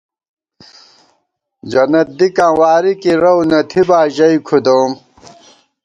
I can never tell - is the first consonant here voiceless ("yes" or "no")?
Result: no